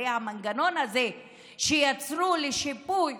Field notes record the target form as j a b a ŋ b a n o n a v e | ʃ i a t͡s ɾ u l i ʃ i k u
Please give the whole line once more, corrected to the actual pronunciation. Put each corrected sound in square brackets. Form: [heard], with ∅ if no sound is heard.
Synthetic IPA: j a [m] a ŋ [ɡ] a n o n a [z] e | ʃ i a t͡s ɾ u l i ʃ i [p] u